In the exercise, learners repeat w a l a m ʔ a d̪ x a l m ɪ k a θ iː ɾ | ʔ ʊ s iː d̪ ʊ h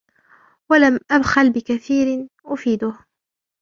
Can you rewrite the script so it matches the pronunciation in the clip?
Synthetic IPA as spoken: w a l a m ʔ a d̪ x a l b ɪ k a θ iː ɾ | ʔ ʊ f iː d̪ ʊ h